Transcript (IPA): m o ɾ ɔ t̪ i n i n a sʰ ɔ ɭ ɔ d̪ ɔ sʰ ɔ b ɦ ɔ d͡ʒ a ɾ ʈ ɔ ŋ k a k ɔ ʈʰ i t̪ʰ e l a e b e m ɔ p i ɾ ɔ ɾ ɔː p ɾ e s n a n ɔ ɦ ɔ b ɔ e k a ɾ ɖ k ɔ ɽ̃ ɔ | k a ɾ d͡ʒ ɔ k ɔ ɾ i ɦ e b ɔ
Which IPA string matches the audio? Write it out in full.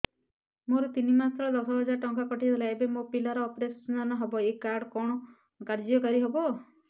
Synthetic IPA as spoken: m o ɾ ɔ t̪ i n i m a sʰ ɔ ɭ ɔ d̪ ɔ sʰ ɔ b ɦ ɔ d͡ʒ a ɾ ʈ ɔ ŋ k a k ɔ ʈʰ i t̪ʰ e l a e b e m o p i l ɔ ɾ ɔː p ɾ e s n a n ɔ ɦ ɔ b ɔ e k a ɾ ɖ k ɔ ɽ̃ ɔ | k a ɾ d͡ʒ ɔ k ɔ ɾ i ɦ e b ɔ